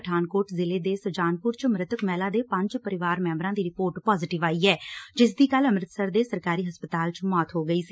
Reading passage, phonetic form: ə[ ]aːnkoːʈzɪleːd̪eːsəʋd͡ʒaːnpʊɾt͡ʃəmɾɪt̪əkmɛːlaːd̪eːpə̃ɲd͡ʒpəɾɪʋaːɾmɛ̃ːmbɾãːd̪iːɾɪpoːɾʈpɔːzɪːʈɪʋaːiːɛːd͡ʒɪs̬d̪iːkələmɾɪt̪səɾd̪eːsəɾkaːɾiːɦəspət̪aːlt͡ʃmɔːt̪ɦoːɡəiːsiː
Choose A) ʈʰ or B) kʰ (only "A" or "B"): A